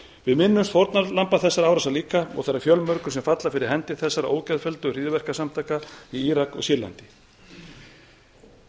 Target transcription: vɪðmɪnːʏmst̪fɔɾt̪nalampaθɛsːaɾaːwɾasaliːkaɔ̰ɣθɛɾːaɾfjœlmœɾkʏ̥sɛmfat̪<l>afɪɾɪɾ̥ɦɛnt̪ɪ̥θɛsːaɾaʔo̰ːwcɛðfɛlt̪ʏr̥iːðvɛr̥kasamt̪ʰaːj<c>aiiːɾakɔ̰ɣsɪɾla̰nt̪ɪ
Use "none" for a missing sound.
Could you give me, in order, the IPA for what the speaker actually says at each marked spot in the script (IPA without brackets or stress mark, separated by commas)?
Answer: l, k